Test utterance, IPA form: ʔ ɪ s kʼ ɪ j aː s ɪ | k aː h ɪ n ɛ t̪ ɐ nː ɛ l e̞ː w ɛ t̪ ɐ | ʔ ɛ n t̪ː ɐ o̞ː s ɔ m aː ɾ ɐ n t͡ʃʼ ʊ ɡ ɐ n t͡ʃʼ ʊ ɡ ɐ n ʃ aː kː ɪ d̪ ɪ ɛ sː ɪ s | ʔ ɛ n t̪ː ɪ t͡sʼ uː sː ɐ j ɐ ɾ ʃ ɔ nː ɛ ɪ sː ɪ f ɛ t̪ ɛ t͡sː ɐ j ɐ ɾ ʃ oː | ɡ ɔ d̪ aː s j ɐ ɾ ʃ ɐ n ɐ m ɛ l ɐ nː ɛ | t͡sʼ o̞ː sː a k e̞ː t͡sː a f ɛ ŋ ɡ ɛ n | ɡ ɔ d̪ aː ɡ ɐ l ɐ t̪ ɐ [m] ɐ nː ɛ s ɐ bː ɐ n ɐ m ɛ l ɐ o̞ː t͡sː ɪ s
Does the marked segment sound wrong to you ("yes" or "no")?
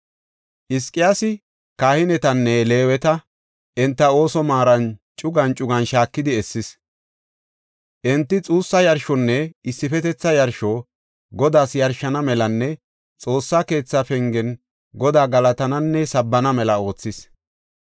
yes